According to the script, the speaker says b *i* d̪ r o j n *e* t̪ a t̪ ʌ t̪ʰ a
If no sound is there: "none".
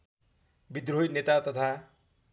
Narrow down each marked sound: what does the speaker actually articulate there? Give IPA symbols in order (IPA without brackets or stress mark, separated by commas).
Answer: i, e